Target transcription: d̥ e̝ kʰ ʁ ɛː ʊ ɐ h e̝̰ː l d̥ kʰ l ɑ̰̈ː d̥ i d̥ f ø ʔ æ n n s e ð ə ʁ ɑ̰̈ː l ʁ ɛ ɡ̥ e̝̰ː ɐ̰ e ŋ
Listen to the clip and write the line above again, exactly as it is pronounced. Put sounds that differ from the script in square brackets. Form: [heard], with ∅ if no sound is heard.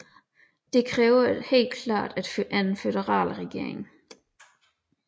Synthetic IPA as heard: d̥ e̝ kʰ ʁ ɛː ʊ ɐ h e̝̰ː l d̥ kʰ l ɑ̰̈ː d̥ [æ] d̥ f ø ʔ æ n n [f] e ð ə ʁ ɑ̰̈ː l ʁ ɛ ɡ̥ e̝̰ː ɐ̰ e ŋ